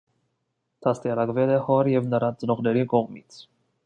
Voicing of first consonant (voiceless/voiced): voiceless